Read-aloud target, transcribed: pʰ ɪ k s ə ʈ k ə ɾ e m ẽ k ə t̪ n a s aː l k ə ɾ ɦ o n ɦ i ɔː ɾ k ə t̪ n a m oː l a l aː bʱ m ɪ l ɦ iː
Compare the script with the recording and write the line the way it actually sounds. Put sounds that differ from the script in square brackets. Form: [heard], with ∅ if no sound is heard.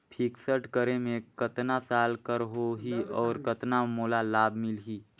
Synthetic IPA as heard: pʰ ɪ k s ə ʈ k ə ɾ e m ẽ k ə t̪ n a s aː l k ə ɾ ɦ o [∅] ɦ i ɔː ɾ k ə t̪ n a m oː l a l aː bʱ m ɪ l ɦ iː

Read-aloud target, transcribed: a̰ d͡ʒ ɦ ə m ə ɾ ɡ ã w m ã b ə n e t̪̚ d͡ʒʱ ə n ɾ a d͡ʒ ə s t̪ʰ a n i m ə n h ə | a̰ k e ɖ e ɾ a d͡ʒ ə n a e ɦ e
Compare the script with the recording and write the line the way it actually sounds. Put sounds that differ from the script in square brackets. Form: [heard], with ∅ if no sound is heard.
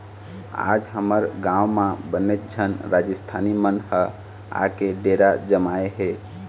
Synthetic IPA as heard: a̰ d͡ʒ ɦ ə m ə ɾ ɡ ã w m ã b ə n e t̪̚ d͡ʒʱ ə n ɾ a d͡ʒ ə s t̪ʰ a n i m ə n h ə | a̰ k e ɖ e ɾ a d͡ʒ ə [m] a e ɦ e

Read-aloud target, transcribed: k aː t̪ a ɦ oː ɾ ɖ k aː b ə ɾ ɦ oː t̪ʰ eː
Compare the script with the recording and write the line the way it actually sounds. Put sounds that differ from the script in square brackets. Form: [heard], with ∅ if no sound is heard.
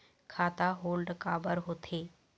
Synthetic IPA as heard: [kʰ] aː t̪ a ɦ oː [l] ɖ k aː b ə ɾ ɦ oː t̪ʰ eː

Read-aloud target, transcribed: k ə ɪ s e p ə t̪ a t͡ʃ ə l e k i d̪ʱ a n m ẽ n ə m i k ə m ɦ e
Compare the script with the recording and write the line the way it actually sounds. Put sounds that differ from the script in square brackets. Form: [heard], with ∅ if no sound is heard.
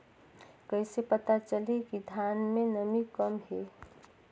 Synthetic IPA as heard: k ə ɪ s e p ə t̪ a t͡ʃ ə l e k i d̪ʱ a n m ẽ n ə m i k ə m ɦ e

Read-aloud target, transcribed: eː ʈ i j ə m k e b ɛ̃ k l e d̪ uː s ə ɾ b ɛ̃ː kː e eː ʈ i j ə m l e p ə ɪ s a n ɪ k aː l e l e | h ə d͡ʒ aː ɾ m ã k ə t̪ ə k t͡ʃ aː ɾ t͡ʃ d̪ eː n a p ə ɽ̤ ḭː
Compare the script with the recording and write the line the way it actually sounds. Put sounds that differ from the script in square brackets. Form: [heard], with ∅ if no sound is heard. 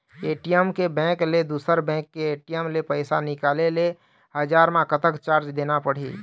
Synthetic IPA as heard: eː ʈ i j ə m k e b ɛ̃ k l e d̪ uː s ə ɾ b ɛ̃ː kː e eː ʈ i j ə m l e p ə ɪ s a n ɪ k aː l e l e | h ə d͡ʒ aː ɾ m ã k ə t̪ ə k t͡ʃ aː ɾ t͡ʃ d̪ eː n a p ə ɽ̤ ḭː

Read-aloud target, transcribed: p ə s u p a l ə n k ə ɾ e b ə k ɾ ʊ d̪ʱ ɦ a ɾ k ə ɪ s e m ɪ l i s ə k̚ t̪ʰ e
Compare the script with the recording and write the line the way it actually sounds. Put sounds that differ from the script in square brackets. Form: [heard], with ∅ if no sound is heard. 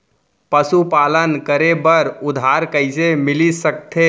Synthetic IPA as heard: p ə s u p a l ə n k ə ɾ e b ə [∅] ɾ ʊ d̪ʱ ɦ a ɾ k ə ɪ s e m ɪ l i s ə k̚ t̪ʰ e

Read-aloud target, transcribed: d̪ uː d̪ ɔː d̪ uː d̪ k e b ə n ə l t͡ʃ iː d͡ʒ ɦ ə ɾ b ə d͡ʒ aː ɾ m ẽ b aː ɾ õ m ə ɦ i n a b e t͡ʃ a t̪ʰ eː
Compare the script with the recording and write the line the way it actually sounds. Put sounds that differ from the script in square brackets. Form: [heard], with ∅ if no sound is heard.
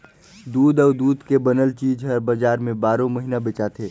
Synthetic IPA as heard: d̪ uː d̪ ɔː d̪ uː d̪ k e b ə n ə l t͡ʃ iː d͡ʒ ɦ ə ɾ b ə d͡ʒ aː ɾ m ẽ b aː ɾ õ m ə ɦ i n a b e t͡ʃ a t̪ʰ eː

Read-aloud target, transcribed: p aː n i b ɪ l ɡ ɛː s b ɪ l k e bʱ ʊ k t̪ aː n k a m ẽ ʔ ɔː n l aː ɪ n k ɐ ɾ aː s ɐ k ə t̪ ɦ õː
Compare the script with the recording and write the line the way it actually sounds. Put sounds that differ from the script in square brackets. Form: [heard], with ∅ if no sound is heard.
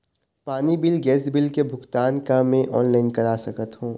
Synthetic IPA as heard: p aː n i b ɪ l ɡ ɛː s b ɪ l k e bʱ ʊ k t̪ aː n k a m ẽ ʔ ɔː n l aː ɪ n k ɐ ɾ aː s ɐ k ə t̪ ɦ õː

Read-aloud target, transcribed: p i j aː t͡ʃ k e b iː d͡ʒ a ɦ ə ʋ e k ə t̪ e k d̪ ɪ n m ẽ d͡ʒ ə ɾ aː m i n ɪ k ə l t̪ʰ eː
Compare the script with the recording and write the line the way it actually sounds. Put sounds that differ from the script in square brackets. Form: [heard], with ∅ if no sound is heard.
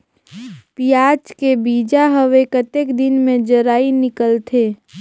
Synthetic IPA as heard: p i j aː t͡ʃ k e b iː d͡ʒ a ɦ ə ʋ e k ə t̪ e k d̪ ɪ n m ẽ d͡ʒ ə ɾ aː [∅] i n ɪ k ə l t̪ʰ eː

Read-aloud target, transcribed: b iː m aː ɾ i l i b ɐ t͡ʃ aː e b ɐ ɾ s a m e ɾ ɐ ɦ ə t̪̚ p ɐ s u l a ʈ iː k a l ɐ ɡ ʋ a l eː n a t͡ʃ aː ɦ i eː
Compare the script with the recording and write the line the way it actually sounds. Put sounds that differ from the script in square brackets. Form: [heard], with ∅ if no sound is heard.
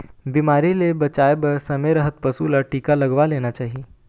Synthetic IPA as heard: b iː m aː ɾ i l [e] b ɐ t͡ʃ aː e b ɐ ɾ s [ɐ] m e ɾ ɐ ɦ ə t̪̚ p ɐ s u l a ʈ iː k a l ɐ ɡ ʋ a l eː n a t͡ʃ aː ɦ i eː

